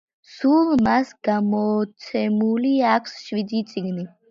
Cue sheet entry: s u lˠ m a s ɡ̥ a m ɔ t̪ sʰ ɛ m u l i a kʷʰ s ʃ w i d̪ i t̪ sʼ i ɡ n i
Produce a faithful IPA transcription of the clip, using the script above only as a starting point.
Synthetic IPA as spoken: s u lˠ m a s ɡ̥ a m ɔ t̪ sʰ ɛ m u l i a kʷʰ s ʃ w i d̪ i t̪ sʼ i ɡ n i